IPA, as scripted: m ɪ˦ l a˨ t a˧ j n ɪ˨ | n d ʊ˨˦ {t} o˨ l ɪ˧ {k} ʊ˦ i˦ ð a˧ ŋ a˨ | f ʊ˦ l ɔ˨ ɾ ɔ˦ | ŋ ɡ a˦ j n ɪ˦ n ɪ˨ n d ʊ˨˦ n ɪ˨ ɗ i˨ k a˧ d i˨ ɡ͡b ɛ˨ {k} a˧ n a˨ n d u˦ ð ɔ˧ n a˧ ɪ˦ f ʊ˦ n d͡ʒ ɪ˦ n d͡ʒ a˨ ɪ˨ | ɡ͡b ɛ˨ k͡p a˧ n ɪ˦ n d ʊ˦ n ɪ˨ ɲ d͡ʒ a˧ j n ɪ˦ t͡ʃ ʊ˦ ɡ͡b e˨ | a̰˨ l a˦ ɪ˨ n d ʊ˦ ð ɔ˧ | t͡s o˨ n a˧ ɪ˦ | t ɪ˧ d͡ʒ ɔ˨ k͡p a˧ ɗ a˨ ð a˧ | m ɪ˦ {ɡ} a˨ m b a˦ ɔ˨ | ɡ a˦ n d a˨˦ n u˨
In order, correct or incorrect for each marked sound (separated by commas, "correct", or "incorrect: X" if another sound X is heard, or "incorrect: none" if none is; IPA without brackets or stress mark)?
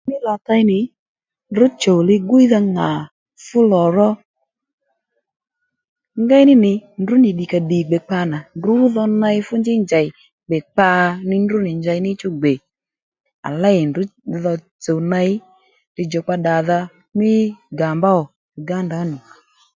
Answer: incorrect: t͡ʃ, incorrect: ɡ, incorrect: k͡p, correct